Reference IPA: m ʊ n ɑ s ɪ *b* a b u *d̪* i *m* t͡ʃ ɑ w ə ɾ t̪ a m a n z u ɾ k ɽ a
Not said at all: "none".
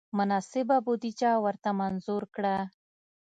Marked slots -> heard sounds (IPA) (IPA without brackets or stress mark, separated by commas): b, d̪, none